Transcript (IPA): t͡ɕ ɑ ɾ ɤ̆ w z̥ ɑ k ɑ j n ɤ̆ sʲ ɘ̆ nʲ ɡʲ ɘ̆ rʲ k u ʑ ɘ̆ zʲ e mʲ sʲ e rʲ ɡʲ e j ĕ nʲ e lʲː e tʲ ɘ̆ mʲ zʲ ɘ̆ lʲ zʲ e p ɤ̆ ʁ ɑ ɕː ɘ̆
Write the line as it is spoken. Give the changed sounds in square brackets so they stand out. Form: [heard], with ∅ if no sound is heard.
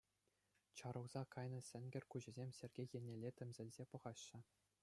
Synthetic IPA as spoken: t͡ɕ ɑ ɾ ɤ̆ w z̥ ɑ k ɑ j n ɤ̆ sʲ ɘ̆ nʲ ɡʲ ɘ̆ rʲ k u ʑ ɘ̆ zʲ e mʲ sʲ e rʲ ɡʲ e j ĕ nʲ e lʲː e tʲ ɘ̆ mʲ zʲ ɘ̆ lʲ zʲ e p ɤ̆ ʁ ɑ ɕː ɘ̆